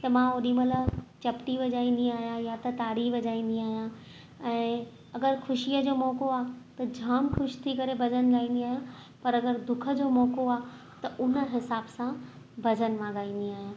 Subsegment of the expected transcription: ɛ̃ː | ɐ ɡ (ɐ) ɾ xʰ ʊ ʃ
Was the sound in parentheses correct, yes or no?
no